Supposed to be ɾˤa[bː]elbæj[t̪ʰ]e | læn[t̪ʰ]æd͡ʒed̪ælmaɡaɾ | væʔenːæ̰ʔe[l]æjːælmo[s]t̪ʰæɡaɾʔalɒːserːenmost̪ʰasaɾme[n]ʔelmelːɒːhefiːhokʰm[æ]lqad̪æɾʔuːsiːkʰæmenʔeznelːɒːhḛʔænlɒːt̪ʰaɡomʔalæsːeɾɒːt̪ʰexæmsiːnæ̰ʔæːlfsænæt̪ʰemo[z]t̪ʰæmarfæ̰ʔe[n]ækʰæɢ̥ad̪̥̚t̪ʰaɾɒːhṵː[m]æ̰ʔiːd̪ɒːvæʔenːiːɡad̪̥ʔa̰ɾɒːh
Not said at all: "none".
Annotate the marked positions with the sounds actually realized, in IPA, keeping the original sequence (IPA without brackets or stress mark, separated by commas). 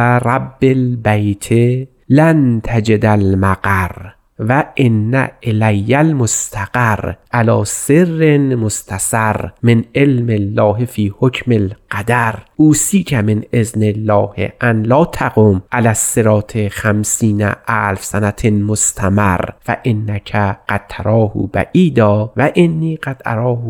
bː, t̪ʰ, t̪ʰ, l, s, n, e, s, nː, b